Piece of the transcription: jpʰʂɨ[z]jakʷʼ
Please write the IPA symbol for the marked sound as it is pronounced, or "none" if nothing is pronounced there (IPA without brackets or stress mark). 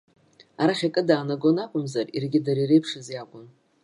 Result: z